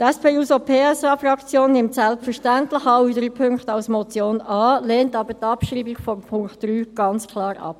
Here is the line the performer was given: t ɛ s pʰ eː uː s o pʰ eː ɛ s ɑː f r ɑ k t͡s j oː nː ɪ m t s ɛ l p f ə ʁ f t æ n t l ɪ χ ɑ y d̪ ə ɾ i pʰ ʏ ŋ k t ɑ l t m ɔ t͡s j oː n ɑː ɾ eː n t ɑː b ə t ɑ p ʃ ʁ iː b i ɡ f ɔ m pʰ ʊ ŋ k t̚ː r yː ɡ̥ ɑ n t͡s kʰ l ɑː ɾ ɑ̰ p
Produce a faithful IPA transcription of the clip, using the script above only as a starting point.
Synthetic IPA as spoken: t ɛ s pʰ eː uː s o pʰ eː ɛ s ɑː f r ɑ k t͡s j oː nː ɪ m t s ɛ l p f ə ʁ ʃ t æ n t l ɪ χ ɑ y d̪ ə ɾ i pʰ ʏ ŋ k t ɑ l s m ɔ t͡s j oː n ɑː l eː n t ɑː b ə t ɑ p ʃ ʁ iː b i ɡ f ɔ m pʰ ʊ ŋ k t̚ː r yː ɡ̥ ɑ n t͡s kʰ l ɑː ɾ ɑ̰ p